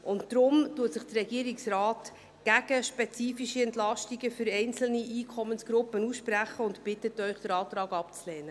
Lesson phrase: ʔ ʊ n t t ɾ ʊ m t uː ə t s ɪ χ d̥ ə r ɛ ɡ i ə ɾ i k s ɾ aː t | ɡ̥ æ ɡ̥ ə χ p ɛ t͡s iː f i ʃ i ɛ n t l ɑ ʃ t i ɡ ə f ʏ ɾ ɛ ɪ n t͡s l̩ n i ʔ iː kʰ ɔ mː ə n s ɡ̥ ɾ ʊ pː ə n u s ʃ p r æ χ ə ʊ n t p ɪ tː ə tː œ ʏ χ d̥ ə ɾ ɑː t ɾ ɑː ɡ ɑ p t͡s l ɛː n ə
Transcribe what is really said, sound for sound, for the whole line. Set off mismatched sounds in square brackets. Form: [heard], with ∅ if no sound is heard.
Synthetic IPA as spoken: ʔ ʊ n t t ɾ ʊ m t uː ə t s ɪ χ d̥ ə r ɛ ɡ i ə ɾ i k s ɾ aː t | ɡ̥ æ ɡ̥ ə [ʃ] p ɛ t͡s iː f i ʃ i ɛ n t l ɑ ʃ t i ɡ ə f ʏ ɾ ɛ ɪ n t͡s l̩ n i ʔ iː kʰ ɔ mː ə n s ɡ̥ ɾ ʊ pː ə n u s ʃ p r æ χ ə ʊ n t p ɪ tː ə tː œ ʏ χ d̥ ə ɾ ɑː t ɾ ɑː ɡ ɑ p t͡s l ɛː n ə